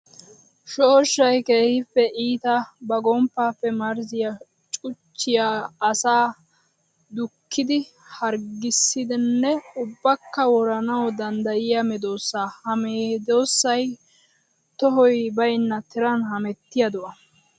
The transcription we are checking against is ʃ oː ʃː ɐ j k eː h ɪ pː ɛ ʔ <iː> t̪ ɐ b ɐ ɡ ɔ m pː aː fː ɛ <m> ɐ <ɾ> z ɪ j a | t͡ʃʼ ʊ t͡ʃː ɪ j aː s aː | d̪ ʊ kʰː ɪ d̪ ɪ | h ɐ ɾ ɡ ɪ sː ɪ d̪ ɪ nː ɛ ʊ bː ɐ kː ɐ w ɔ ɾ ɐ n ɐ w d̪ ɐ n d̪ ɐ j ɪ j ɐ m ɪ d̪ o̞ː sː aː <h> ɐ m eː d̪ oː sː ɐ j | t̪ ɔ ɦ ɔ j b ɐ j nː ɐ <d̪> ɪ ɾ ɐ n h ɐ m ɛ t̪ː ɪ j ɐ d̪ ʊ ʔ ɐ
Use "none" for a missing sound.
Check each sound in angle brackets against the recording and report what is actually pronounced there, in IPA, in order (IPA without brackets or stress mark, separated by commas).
iː, m, ɾ, h, t̪